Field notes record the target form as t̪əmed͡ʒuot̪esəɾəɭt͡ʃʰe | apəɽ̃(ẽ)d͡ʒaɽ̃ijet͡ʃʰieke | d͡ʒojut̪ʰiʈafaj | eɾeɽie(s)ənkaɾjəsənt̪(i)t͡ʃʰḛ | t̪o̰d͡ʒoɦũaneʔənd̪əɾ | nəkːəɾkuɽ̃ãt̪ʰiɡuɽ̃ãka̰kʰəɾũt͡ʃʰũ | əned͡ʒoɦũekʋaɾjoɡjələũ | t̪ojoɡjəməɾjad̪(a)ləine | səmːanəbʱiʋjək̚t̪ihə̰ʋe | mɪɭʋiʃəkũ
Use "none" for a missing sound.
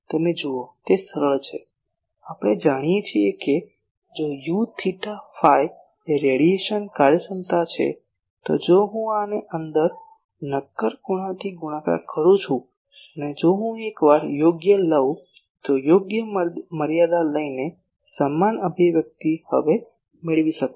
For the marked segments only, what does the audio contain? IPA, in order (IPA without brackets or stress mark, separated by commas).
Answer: e, ʃ, a, a